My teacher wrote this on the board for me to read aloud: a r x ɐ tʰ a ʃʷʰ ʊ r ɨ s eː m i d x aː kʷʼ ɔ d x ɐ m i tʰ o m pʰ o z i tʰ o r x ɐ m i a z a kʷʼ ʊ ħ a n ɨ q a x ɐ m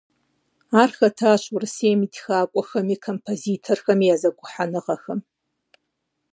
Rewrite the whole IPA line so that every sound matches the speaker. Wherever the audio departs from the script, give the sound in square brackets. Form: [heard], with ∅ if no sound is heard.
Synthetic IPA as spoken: a r x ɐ tʰ a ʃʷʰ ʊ r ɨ s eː m i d x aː kʷʼ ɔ [∅] x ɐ m i [kʰ] o m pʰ o z i tʰ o r x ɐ m i a z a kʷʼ ʊ ħ a n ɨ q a x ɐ m